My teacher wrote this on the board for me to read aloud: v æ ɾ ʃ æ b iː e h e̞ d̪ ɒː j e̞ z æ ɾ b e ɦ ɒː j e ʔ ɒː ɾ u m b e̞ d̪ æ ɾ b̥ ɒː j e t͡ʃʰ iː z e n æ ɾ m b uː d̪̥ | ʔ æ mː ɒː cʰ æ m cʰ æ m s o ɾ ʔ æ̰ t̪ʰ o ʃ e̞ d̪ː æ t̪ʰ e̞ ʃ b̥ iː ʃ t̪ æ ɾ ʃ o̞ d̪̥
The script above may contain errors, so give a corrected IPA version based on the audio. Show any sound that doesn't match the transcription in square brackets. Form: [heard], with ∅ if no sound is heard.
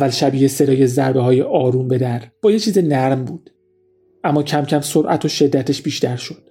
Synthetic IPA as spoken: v æ [l] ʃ æ b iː e [s] e̞ d̪ ɒː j e̞ z æ ɾ b e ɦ ɒː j e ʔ ɒː ɾ u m b e̞ d̪ æ ɾ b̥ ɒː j e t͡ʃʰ iː z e n æ ɾ m b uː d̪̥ | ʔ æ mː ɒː cʰ æ m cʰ æ m s o ɾ ʔ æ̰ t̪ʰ o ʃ e̞ d̪ː æ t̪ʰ e̞ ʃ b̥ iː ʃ t̪ æ ɾ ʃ o̞ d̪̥